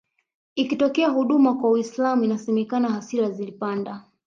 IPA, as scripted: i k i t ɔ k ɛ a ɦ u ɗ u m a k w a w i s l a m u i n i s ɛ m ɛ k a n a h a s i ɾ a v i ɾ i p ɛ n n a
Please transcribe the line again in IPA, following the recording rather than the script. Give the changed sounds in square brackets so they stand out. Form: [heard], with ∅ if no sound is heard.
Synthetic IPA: i k i t ɔ k ɛ a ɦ u ɗ u m a k w a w i s l a m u i n [a] s ɛ m ɛ k a n a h a s i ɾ a [z] i [l] i p [a] n [d] a